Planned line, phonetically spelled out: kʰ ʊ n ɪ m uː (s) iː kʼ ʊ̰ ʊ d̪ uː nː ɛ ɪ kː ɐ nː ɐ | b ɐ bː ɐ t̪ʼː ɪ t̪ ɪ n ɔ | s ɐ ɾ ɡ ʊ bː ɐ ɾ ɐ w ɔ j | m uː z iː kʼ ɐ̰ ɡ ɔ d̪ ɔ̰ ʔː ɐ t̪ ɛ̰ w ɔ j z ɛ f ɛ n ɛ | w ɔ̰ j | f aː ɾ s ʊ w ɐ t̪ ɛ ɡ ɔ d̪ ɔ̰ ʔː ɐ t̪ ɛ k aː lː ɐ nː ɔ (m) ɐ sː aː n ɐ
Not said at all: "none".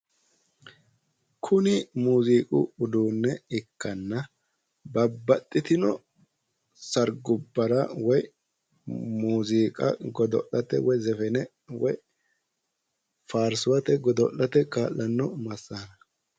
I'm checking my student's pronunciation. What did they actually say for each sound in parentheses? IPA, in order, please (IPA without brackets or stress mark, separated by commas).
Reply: z, m